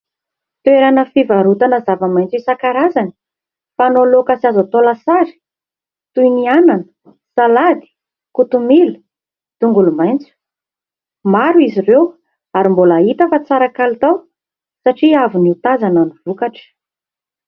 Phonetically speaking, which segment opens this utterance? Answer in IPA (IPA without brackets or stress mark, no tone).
t̪